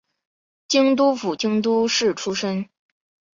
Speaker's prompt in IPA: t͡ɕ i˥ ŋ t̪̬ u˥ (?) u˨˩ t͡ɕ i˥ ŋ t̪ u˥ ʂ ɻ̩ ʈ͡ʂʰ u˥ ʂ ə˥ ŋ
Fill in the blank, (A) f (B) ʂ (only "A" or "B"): A